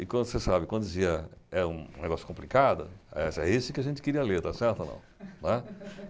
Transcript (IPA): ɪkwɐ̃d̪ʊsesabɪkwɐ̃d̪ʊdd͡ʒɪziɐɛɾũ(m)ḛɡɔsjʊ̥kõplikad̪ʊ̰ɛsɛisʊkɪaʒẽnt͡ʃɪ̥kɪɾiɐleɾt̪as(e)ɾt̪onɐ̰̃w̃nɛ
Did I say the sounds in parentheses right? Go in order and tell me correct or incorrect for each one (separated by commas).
incorrect, incorrect